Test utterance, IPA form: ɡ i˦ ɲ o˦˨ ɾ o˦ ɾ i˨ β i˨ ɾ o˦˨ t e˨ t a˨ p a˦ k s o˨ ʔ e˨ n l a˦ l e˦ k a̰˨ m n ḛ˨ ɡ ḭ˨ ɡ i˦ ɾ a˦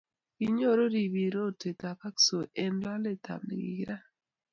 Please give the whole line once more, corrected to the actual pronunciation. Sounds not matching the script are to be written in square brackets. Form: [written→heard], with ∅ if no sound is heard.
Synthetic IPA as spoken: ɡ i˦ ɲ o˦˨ ɾ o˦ ɾ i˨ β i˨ ɾ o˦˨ t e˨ t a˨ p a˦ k s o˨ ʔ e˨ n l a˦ l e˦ [k→t] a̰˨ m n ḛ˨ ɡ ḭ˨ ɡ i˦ ɾ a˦